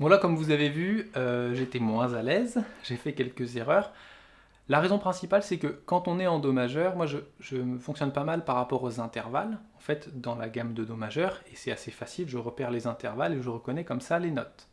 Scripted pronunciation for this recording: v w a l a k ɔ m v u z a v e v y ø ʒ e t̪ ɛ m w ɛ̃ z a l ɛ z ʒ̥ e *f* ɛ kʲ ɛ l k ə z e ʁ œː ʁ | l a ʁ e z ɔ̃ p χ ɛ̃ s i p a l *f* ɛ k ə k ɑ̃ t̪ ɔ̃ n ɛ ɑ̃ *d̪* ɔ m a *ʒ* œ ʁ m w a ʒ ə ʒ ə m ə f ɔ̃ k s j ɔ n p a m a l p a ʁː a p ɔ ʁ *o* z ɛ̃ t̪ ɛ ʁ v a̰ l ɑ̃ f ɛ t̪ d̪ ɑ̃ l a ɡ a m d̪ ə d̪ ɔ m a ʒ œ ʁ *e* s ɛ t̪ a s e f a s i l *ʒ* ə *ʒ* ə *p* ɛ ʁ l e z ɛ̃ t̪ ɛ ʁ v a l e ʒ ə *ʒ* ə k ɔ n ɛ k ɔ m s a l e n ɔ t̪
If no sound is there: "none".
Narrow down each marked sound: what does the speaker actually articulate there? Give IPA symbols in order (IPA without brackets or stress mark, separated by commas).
f, s, d̪, ʒ, o, e, ʒ, ʁ, p, ʁ